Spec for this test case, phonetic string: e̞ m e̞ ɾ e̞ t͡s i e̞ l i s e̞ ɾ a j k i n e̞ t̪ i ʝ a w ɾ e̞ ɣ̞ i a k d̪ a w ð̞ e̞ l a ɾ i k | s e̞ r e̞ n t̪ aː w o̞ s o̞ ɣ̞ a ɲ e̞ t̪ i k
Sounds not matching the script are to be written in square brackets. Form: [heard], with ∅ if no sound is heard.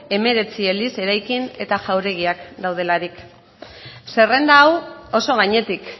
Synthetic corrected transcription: e̞ m e̞ ɾ e̞ t͡s i e̞ l i s e̞ ɾ a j k i n e̞ t̪ [a] ʝ a w ɾ e̞ ɣ̞ i a k d̪ a w ð̞ e̞ l a ɾ i k | s e̞ r e̞ n [d̪] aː w o̞ s o̞ ɣ̞ a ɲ e̞ t̪ i k